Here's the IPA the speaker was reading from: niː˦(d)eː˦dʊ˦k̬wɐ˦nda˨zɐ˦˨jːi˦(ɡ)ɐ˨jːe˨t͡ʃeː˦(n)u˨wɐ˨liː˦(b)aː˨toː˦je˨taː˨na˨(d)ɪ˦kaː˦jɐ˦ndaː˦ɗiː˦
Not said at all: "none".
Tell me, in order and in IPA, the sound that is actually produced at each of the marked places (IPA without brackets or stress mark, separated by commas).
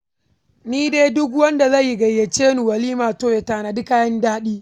d, ɡ, n, m, d